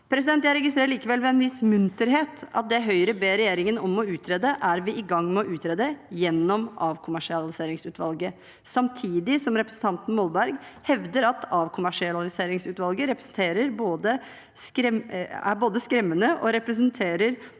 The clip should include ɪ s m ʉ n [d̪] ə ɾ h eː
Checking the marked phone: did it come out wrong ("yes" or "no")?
yes